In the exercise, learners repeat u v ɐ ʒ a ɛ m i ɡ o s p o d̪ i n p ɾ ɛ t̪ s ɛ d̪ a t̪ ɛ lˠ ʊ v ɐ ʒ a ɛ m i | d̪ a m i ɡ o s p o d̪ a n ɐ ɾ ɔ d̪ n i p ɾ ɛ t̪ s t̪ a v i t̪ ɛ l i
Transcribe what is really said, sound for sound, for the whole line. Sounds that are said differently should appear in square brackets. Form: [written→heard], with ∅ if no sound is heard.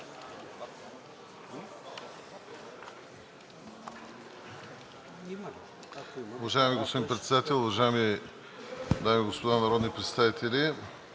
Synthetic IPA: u v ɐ ʒ a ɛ m i ɡ o s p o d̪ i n p ɾ ɛ t̪ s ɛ d̪ a t̪ ɛ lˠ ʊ v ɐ ʒ a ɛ m i | d̪ a m i ɡ o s p o d̪ a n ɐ ɾ ɔ d̪ n i p ɾ ɛ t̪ s t̪ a v i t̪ ɛ l i

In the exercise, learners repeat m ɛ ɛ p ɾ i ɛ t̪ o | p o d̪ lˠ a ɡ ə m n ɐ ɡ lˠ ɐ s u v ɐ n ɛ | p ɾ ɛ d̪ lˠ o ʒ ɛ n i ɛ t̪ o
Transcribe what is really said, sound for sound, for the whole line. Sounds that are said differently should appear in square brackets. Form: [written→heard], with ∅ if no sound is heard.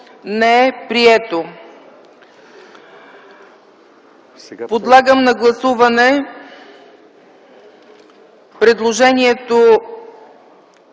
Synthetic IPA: [m→n] ɛ ɛ p ɾ i ɛ t̪ o | p o d̪ lˠ a ɡ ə m n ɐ ɡ lˠ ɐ s u v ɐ n ɛ | p ɾ ɛ d̪ lˠ o ʒ ɛ n i ɛ t̪ o

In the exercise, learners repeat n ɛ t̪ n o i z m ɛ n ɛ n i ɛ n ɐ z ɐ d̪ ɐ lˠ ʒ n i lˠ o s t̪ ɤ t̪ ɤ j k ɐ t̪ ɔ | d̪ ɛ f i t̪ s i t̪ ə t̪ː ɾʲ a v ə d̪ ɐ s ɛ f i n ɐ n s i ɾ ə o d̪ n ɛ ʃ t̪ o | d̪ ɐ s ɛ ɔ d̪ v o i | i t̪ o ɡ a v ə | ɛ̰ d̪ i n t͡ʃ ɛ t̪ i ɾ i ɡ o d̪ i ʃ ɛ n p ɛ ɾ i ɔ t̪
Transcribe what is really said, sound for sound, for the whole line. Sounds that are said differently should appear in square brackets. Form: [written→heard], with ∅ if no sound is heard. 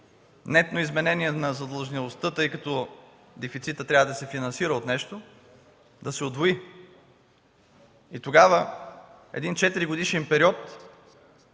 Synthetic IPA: n ɛ t̪ n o i z m ɛ n ɛ n i ɛ n ɐ z ɐ d̪ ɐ lˠ ʒ n i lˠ o s t̪ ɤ t̪ ɤ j k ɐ t̪ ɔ | d̪ ɛ f i t̪ s i t̪ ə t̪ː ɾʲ a v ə d̪ ɐ s ɛ f i n ɐ n s i ɾ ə o [d̪→t̪] n ɛ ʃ t̪ o | d̪ ɐ s ɛ [ɔ→o] d̪ v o i | i t̪ o ɡ a v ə | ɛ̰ d̪ i n t͡ʃ ɛ t̪ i ɾ i ɡ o d̪ i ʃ ɛ n p ɛ ɾ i ɔ t̪

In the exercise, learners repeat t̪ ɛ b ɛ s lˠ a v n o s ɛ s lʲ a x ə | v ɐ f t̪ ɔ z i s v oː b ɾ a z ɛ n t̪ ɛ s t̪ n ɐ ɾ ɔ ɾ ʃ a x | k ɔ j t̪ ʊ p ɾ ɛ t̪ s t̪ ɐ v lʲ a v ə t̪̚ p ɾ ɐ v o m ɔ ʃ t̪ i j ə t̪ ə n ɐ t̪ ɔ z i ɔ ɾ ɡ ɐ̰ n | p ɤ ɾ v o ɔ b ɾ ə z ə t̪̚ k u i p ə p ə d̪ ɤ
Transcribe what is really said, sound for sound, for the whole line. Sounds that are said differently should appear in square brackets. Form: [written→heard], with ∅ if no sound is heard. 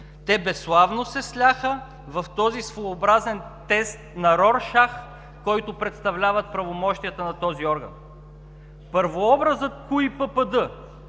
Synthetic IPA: t̪ ɛ b ɛ s lˠ a v n o s ɛ s lʲ a x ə | v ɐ f t̪ ɔ z i s v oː b ɾ a z ɛ n t̪ ɛ s t̪ n ɐ ɾ ɔ ɾ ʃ a x | k ɔ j t̪ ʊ p ɾ ɛ t̪ s t̪ ɐ v lʲ a v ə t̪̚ p ɾ ɐ v o m ɔ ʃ t̪ i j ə t̪ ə n ɐ t̪ ɔ z i ɔ ɾ ɡ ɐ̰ n | p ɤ ɾ v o ɔ b ɾ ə z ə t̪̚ k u i p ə p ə d̪ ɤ

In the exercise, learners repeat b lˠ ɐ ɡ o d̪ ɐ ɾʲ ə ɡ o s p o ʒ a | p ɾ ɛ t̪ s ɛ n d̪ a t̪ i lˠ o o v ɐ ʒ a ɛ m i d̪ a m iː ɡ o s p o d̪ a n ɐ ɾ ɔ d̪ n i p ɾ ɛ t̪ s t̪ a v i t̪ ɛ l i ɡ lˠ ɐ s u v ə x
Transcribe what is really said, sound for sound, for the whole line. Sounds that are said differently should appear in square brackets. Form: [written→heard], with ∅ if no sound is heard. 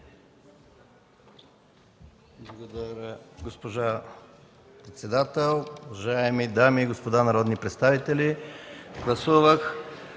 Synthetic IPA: b lˠ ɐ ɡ o d̪ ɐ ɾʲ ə ɡ o s p o ʒ a | p ɾ ɛ t̪ s ɛ [n→∅] d̪ a t̪ [i→ɛ] lˠ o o v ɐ ʒ a ɛ m i d̪ a m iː ɡ o s p o d̪ a n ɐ ɾ ɔ d̪ n i p ɾ ɛ t̪ s t̪ a v i t̪ ɛ l i ɡ lˠ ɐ s u v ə x

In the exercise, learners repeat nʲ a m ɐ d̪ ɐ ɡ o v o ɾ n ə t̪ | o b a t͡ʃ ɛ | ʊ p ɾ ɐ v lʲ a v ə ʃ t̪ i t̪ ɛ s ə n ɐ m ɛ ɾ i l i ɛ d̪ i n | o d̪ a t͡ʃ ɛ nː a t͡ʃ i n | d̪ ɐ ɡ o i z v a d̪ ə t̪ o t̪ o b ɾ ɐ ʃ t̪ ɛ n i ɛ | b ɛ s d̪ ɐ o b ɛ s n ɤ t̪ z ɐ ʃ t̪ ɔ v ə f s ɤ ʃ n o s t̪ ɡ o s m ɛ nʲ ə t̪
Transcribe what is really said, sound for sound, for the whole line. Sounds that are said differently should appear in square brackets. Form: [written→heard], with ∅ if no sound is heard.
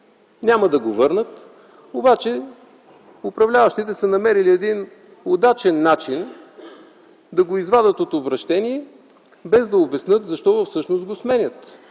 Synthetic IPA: nʲ a m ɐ d̪ ɐ ɡ o v [o→ɤ] ɾ n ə t̪ | o b a t͡ʃ ɛ | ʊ p ɾ ɐ v lʲ a v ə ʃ t̪ i t̪ ɛ s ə n ɐ m ɛ ɾ i l i ɛ d̪ i n | o d̪ a t͡ʃ ɛ nː a t͡ʃ i n | d̪ ɐ ɡ o i z v a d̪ ə t̪ o t̪ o b ɾ ɐ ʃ t̪ ɛ n i ɛ | b ɛ [s→z] d̪ ɐ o b ɛ s n ɤ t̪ z ɐ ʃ t̪ ɔ v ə f s ɤ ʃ n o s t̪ ɡ o s m ɛ nʲ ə t̪

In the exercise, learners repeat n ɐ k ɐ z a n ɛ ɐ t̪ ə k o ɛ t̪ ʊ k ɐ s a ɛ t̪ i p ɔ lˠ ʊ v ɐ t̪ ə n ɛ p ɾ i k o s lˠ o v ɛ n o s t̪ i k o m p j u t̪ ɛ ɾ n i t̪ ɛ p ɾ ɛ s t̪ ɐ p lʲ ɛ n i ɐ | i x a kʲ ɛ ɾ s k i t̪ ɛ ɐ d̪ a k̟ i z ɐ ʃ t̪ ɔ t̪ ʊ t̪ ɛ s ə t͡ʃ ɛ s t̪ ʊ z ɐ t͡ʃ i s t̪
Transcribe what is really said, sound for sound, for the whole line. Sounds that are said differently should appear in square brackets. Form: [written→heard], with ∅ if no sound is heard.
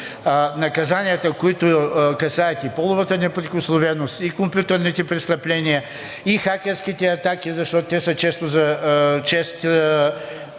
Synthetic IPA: n ɐ k ɐ z a n [ɛ→i] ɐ t̪ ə k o [ɛ→i] t̪ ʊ k ɐ s a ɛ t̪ i p ɔ lˠ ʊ v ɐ t̪ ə n ɛ p ɾ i k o s lˠ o v ɛ n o s t̪ i k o m p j u t̪ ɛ ɾ n i t̪ ɛ p ɾ ɛ s t̪ ɐ p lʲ ɛ n i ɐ | i x a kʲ ɛ ɾ s k i t̪ ɛ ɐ [d̪→t̪] a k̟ i z ɐ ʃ t̪ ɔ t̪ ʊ t̪ ɛ s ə t͡ʃ ɛ s t̪ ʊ z ɐ t͡ʃ [i→ɛ] s t̪

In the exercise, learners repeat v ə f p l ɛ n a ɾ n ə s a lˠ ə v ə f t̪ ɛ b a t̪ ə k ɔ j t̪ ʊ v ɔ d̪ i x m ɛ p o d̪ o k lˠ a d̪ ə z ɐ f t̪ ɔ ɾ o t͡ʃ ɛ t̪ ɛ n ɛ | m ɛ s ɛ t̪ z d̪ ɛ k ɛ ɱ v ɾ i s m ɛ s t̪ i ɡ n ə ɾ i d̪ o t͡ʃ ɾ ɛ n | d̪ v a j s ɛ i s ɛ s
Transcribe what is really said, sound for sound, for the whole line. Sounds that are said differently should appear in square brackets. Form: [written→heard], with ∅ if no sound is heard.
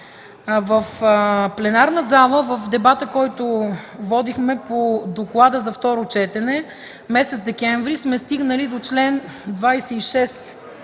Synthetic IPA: v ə f p l ɛ n a ɾ n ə [s→z] a lˠ ə v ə f [t̪→d̪] ɛ b a t̪ ə k ɔ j t̪ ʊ v ɔ d̪ i x m ɛ p o d̪ o k lˠ a d̪ ə z ɐ f t̪ ɔ ɾ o t͡ʃ ɛ t̪ ɛ n ɛ | m ɛ s ɛ t̪ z d̪ ɛ k ɛ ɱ v ɾ i s m ɛ s t̪ i ɡ n ə [ɾ→l] i d̪ o t͡ʃ [ɾ→l] ɛ n | d̪ v a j s ɛ i [s→ʃ] ɛ s

